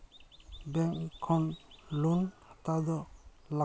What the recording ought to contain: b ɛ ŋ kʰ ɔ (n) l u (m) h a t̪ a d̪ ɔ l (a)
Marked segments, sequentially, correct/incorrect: correct, incorrect: n, correct

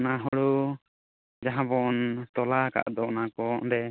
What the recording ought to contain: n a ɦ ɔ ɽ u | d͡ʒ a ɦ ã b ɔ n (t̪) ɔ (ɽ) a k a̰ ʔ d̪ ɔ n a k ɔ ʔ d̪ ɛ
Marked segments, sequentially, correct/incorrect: correct, incorrect: l

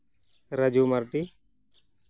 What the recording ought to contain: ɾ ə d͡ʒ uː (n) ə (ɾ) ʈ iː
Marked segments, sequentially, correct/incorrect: incorrect: m, correct

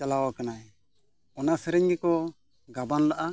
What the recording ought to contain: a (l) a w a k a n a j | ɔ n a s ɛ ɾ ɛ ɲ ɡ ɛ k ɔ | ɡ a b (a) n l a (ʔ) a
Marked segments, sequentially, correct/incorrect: correct, correct, correct

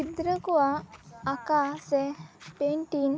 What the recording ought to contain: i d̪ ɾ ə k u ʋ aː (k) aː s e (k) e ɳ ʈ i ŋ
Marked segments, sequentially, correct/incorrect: correct, incorrect: p

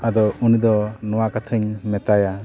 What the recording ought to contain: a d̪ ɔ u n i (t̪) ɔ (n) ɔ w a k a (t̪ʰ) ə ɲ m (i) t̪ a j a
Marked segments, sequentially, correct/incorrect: incorrect: d̪, correct, correct, incorrect: ɛ

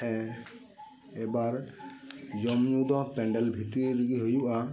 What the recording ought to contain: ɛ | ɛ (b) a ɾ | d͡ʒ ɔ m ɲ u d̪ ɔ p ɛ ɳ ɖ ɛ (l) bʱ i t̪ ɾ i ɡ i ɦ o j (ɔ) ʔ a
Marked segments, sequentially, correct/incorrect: correct, correct, incorrect: u

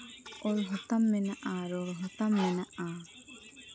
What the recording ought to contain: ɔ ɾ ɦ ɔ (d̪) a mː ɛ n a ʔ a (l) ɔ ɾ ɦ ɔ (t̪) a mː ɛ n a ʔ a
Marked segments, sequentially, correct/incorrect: incorrect: t̪, incorrect: ɾ, correct

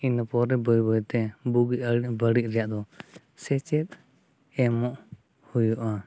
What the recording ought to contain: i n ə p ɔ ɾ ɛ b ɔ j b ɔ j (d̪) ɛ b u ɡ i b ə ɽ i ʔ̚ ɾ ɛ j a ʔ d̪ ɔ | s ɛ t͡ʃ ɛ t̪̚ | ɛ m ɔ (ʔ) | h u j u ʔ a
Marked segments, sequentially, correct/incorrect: incorrect: t̪, correct

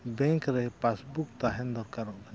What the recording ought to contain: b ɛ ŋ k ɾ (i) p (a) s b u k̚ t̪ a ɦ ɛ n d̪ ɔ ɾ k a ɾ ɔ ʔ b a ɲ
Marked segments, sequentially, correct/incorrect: incorrect: ɛ, correct

